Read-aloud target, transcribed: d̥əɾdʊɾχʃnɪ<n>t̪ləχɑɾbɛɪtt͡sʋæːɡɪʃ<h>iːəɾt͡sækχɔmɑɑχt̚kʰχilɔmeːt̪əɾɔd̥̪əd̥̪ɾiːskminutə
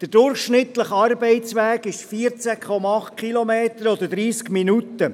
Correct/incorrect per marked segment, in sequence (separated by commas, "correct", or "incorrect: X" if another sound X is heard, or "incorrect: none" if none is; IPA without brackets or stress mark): incorrect: none, incorrect: f